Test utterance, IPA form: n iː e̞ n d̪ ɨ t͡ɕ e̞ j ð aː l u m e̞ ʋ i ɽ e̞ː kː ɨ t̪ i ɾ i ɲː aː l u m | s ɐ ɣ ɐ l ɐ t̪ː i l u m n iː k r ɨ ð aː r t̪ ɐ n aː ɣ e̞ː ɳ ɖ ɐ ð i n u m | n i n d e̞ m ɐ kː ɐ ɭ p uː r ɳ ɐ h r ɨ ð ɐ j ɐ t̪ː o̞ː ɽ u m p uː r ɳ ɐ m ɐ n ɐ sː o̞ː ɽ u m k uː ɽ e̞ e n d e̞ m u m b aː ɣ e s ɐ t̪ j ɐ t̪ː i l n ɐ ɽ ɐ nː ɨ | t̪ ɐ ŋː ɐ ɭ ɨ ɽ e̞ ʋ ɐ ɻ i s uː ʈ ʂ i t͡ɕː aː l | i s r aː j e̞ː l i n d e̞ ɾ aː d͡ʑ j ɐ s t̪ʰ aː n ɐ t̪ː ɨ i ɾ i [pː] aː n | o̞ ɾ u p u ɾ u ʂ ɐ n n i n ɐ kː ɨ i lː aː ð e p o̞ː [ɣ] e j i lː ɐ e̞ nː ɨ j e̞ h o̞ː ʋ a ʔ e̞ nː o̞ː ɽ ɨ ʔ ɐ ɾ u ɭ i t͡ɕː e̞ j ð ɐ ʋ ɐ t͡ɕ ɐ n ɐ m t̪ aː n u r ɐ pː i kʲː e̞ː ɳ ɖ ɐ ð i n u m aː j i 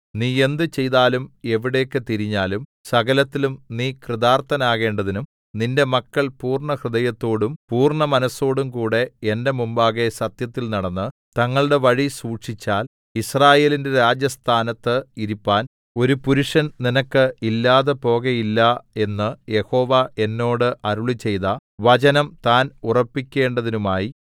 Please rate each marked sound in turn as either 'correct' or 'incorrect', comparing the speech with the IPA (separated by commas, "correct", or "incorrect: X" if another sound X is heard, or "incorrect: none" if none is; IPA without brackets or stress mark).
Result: correct, correct